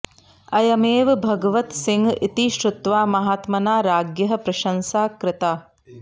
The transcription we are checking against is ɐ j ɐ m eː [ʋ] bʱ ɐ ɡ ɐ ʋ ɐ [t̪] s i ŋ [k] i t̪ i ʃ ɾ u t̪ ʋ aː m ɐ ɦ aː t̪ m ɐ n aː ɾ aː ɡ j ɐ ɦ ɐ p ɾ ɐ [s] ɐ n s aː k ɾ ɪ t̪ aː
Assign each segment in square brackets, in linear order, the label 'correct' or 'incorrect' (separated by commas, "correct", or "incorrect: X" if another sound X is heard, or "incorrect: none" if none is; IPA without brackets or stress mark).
correct, correct, incorrect: ɡ, incorrect: ʃ